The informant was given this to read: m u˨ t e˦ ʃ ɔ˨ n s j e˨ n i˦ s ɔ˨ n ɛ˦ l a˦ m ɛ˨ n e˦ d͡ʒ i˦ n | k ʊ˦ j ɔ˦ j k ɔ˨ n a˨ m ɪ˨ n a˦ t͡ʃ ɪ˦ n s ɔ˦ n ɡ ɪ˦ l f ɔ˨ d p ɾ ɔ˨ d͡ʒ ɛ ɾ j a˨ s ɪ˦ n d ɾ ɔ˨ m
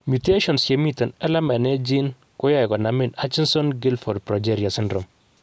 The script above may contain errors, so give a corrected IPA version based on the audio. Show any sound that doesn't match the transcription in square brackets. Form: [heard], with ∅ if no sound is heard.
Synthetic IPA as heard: m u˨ t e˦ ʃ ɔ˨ n s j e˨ [m] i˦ [t] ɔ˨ n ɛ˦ l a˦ m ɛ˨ n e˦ d͡ʒ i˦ n | k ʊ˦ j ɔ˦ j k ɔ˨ n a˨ m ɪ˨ n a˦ t͡ʃ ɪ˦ n s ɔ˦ n ɡ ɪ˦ l f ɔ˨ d p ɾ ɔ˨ d͡ʒ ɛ ɾ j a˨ s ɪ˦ n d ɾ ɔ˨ m